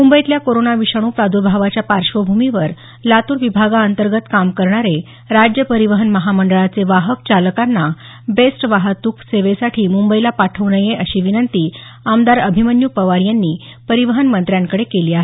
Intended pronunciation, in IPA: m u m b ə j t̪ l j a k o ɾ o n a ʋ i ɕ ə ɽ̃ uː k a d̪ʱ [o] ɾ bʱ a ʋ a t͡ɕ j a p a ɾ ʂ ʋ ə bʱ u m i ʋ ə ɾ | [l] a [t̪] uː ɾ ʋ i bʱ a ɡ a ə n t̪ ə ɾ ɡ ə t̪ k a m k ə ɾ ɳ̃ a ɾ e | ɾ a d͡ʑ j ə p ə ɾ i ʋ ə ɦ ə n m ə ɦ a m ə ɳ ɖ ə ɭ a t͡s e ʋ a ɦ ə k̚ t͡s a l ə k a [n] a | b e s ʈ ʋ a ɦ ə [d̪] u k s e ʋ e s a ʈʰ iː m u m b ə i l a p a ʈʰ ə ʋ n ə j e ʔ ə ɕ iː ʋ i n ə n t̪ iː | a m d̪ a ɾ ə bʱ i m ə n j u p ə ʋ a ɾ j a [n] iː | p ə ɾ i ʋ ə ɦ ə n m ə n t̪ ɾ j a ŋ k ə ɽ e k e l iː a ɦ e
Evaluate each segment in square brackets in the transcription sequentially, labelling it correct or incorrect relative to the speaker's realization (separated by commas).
incorrect, correct, correct, incorrect, incorrect, incorrect